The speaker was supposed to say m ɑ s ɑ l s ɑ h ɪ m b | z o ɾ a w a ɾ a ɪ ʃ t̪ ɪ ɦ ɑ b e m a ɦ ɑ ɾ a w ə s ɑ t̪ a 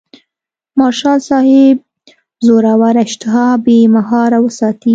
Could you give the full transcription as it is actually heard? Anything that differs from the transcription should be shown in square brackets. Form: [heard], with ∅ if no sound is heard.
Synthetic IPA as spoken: m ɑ [ʃ] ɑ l s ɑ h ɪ [∅] b | z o ɾ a w a ɾ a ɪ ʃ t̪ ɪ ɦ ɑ b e m a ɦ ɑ ɾ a w ə s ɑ t̪ [i]

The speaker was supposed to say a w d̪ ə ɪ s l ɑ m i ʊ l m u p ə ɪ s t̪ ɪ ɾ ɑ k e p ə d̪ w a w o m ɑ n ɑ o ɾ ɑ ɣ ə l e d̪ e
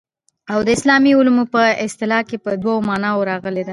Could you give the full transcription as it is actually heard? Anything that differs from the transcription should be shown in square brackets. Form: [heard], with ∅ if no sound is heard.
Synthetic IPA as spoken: a w d̪ ə ɪ s l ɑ m i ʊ l m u p ə ɪ s t̪ ɪ [l] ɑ k e p ə d̪ w a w o m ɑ n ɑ o ɾ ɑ ɣ ə l e d̪ [a]

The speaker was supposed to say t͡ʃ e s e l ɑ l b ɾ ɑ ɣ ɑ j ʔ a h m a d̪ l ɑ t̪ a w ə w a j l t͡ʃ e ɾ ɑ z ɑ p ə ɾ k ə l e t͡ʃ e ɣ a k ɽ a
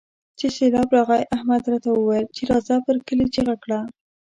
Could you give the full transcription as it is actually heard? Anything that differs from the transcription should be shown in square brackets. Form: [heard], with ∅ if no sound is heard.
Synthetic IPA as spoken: t͡ʃ e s e l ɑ [∅] b ɾ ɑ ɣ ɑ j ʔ a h m a d̪ [ɾ] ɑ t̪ a w ə w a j l t͡ʃ e ɾ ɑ z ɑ p ə ɾ k ə l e t͡ʃ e ɣ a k ɽ a

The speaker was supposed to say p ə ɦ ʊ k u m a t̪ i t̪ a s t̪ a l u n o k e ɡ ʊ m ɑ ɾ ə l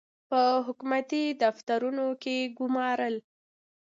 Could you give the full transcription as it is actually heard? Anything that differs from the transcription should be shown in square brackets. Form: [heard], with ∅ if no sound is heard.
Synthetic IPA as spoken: p ə ɦ ʊ k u m a t̪ i [d̪] a [f] t̪ a [ɾ] u n o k e ɡ ʊ m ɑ ɾ ə l

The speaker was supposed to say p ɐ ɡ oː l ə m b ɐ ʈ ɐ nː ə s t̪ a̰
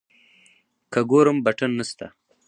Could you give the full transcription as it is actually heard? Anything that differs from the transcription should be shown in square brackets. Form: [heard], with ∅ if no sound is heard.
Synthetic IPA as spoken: [k] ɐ ɡ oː [ɾ] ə m b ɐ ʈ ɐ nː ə s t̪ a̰

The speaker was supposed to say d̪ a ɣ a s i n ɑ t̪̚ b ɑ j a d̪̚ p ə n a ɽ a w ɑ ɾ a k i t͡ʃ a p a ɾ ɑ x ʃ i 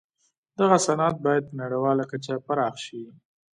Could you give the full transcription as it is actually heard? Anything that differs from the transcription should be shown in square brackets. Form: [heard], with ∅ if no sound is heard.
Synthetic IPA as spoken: d̪ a ɣ a s [a] n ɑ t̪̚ b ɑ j a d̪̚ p ə n a ɽ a w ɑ [l] a k [a] t͡ʃ a p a ɾ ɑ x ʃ i

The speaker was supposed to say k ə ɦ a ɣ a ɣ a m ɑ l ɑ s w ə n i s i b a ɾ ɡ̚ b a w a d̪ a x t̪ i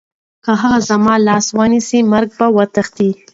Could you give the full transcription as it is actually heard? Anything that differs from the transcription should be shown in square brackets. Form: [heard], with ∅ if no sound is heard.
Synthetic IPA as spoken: k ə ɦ a ɣ a [z] a m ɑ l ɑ s w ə n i s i [m] a ɾ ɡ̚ b a w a [t̪] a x t̪ i

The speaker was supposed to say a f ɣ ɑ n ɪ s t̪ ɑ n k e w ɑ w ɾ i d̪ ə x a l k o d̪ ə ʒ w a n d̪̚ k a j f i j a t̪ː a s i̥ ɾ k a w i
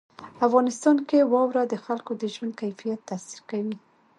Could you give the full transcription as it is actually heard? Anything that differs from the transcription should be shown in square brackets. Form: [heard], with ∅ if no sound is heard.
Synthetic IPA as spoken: a f ɣ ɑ n ɪ s t̪ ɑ n k e w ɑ w ɾ [a] d̪ ə x a l k o d̪ ə ʒ w a n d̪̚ k a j f i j a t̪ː a s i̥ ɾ k a w i

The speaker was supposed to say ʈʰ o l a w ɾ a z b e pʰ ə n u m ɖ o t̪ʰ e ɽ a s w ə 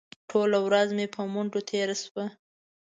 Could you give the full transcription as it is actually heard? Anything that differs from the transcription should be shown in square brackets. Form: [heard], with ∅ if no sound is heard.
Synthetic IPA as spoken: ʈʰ o l a w ɾ a z [m] e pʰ ə [m] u [ɳ] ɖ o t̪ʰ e [ɾ] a s w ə

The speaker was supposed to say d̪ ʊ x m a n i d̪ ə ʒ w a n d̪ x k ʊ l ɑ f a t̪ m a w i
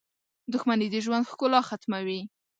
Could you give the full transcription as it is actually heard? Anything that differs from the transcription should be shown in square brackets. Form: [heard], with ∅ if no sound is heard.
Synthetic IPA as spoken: d̪ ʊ x m a n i d̪ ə ʒ w a n d̪ x k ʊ l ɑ [x] a t̪ m a w i

